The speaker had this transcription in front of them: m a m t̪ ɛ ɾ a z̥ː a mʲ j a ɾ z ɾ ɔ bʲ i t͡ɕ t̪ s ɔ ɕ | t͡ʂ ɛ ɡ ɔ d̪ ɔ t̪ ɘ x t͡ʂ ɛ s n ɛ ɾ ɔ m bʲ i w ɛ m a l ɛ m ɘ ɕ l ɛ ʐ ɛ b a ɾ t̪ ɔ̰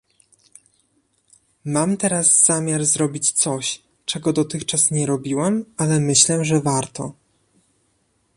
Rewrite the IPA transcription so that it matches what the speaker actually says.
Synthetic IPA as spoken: m a m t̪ ɛ ɾ a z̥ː a mʲ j a ɾ z ɾ ɔ bʲ i t͡ɕ t̪ s ɔ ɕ | t͡ʂ ɛ ɡ ɔ d̪ ɔ t̪ ɘ x t͡ʂ a s ɲ ɛ ɾ ɔ bʲ i w ɛ m a l ɛ m ɘ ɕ l ɛ ʐ ɛ v a ɾ t̪ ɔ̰

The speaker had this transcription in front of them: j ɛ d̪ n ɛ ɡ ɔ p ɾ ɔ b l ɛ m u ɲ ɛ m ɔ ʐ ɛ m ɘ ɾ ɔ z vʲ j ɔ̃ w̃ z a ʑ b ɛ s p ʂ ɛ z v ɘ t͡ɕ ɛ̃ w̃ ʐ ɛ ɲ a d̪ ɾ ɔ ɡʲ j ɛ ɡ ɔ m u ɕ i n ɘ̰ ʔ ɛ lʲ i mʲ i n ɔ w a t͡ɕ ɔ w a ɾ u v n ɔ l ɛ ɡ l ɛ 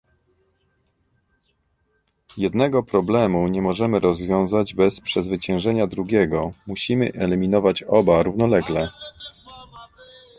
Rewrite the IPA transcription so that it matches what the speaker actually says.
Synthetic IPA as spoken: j ɛ d̪ n ɛ ɡ ɔ p ɾ ɔ b l ɛ m u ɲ ɛ m ɔ ʐ ɛ m ɘ ɾ ɔ z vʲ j ɔ̃ w̃ z a d͡ʑ b ɛ s p ʂ ɛ z v ɘ t͡ɕ ɛ̃ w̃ ʐ ɛ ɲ a d̪ ɾ u ɡʲ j ɛ ɡ ɔ m u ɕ i m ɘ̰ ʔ ɛ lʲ i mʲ i n ɔ v a t͡ɕ ɔ b a ɾ u v n ɔ l ɛ ɡ l ɛ

